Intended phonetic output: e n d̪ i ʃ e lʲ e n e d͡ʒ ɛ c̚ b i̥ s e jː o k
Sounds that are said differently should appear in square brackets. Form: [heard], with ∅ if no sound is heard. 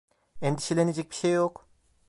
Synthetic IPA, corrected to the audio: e n d̪ i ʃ e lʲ e n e d͡ʒ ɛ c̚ b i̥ [ʃ] e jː o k